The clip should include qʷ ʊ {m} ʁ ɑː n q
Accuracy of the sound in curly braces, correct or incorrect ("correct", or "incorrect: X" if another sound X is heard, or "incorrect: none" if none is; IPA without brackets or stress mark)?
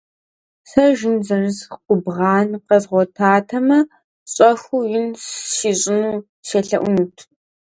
incorrect: b